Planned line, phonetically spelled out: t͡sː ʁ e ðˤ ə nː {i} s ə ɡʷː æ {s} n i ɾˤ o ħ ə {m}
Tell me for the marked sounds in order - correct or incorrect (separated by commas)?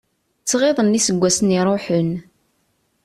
correct, correct, incorrect